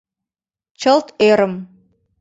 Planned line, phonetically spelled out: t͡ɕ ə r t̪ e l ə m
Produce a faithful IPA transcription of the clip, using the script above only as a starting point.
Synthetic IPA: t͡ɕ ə l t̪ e ɾ ə m